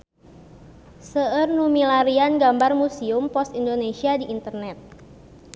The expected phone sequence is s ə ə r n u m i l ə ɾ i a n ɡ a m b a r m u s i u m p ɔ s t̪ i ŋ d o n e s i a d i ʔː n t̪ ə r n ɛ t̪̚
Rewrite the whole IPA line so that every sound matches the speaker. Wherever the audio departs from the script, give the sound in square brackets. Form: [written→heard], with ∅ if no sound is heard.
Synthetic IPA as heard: s ə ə r n u m i l [ə→a] ɾ i a n ɡ a m b a r m u s i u m p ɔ s t̪ i [ŋ→n] d o n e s i a d i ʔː n t̪ ə r n ɛ t̪̚